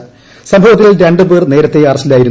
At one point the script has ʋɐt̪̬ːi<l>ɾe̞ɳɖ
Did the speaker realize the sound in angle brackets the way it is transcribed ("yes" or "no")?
yes